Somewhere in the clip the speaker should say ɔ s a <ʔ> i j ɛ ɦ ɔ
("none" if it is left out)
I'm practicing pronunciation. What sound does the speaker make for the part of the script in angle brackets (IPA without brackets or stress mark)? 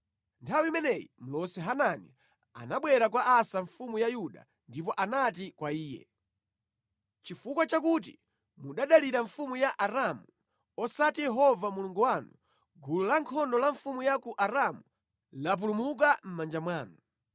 t